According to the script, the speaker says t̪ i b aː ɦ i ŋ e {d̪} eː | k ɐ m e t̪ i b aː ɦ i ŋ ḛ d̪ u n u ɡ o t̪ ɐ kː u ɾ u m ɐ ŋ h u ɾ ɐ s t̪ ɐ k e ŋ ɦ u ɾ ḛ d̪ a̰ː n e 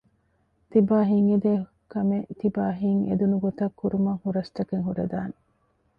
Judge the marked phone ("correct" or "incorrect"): correct